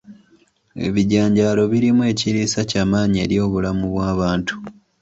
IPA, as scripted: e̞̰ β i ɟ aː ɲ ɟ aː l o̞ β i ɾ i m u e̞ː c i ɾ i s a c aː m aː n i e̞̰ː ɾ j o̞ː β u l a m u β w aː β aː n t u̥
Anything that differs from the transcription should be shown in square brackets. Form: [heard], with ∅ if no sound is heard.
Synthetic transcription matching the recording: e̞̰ β i ɟ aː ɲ ɟ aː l o̞ β i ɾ i m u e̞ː c i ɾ i s a c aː m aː [ɲ] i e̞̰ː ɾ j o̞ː β u l a m u β w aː β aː n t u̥